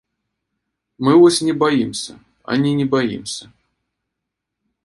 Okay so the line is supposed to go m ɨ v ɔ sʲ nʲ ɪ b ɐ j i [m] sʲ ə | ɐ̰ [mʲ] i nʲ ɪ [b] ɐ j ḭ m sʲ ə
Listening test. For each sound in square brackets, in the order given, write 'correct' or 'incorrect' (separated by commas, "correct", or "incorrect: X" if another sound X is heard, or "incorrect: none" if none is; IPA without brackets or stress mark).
correct, incorrect: nʲ, correct